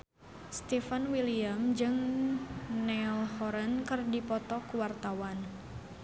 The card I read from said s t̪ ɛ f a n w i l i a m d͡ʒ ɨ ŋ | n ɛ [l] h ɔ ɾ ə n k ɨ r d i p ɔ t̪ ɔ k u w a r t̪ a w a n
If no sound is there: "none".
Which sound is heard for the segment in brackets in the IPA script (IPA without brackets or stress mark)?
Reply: l